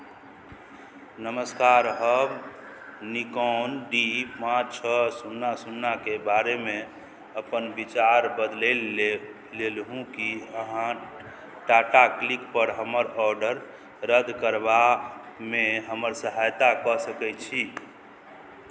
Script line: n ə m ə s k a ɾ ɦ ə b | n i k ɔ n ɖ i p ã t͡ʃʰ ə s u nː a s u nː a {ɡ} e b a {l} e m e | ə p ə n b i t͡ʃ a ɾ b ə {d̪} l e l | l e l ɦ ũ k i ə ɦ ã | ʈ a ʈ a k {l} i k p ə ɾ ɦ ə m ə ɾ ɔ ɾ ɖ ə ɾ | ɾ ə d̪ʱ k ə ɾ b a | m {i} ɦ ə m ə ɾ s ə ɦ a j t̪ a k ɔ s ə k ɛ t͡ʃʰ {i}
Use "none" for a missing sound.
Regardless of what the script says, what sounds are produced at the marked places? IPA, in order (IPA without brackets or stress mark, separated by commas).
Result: k, ɾ, d̪, l, e, i